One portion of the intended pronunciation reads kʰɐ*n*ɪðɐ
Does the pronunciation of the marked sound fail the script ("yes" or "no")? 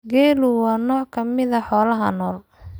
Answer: yes